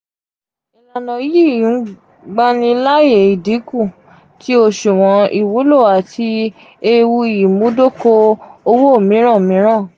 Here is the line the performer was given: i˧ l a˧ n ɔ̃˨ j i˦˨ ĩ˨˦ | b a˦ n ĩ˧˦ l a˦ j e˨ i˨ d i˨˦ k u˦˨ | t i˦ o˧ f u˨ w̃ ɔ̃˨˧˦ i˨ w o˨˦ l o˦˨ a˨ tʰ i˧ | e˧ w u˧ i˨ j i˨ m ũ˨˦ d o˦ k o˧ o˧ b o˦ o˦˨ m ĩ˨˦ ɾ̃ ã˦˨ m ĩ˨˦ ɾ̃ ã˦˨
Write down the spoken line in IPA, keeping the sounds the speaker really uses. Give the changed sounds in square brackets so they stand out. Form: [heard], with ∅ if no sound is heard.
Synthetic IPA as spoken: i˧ l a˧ n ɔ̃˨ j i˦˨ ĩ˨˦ | [ɡ͡b] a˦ n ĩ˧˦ l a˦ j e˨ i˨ d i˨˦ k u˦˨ | t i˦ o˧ [ʃ] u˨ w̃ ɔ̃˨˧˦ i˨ w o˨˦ l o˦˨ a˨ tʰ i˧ | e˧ w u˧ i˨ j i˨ m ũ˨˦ d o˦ k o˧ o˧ [w] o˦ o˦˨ m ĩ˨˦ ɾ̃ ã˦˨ m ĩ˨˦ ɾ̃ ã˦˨

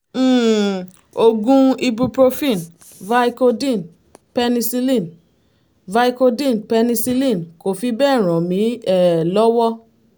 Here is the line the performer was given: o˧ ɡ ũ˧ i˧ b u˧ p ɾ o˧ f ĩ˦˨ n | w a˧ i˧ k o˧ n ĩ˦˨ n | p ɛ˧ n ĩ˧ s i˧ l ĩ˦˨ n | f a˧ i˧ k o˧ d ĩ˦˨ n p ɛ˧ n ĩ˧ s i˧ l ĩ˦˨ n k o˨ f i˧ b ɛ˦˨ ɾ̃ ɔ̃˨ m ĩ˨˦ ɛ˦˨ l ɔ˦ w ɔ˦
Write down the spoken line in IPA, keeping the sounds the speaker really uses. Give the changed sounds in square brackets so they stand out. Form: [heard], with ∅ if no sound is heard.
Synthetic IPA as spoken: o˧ ɡ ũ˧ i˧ b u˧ p ɾ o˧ f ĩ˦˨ n | [v] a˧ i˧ k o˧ [d] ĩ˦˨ n | p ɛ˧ n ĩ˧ s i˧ l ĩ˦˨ n | [v] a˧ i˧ k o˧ d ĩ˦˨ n p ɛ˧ n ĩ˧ s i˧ l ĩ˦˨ n k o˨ f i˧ b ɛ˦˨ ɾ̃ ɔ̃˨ m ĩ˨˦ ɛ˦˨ l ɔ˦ w ɔ˦

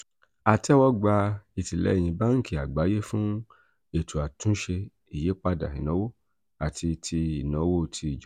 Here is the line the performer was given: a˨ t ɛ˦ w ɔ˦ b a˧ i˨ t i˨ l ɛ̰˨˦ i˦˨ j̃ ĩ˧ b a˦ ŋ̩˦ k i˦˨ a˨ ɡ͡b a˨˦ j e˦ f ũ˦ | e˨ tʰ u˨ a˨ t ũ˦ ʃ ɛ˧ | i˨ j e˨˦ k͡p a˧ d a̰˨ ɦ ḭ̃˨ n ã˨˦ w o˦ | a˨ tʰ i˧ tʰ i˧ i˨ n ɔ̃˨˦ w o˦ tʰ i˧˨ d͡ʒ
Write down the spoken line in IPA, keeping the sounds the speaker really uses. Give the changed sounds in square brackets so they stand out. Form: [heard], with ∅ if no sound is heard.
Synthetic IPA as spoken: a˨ t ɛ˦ w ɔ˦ [ɡ͡b] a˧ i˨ t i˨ l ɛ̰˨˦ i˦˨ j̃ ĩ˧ b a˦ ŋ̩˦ k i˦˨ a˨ ɡ͡b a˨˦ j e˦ f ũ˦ | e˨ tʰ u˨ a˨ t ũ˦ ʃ [e˧] | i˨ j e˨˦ k͡p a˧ d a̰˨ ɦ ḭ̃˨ n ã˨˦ w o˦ | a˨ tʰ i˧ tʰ i˧ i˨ n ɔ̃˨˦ w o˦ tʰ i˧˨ d͡ʒ

